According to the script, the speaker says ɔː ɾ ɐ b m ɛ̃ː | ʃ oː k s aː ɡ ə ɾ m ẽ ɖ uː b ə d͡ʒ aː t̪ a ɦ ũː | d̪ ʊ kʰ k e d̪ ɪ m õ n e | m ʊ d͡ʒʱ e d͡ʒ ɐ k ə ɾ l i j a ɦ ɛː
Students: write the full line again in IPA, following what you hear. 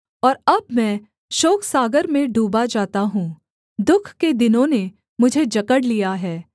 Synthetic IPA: ɔː ɾ ɐ b m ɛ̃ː | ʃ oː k s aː ɡ ə ɾ m ẽ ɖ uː b a d͡ʒ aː t̪ a ɦ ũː | d̪ ʊ kʰ k e d̪ ɪ n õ n e | m ʊ d͡ʒʱ e d͡ʒ ɐ k ə ɽ l i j a ɦ ɛː